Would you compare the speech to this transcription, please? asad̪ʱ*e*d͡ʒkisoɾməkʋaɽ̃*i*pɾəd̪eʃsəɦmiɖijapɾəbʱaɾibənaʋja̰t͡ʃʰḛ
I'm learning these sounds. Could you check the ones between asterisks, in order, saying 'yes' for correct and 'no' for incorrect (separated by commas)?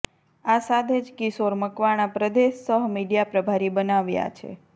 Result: yes, no